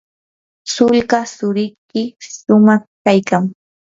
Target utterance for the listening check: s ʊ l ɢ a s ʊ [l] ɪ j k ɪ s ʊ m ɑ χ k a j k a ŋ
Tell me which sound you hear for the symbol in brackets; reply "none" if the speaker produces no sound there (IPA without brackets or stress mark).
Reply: ɾ